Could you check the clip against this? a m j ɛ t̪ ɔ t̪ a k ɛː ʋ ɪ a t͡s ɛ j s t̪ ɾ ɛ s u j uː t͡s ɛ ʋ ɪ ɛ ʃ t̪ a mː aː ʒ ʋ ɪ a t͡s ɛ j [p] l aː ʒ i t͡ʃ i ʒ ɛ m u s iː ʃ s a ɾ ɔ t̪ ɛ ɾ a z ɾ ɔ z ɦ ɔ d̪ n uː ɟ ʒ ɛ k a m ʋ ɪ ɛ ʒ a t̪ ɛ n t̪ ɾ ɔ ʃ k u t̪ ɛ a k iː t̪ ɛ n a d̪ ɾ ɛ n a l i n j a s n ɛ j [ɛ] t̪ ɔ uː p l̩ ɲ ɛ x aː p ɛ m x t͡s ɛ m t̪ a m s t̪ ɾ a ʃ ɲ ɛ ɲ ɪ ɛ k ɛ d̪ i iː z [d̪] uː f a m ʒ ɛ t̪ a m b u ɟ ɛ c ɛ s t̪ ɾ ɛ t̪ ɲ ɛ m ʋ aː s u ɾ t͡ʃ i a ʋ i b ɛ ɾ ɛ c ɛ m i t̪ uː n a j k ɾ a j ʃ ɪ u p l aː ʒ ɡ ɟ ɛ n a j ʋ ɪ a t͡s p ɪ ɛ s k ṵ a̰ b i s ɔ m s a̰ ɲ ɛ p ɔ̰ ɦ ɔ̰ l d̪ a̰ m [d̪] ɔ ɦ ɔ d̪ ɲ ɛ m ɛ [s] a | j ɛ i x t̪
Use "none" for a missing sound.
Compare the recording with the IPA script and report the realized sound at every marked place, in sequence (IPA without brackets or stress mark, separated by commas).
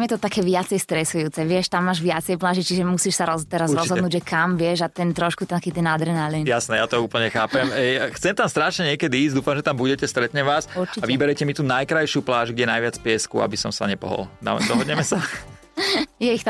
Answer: p, a, d̪, d̪, s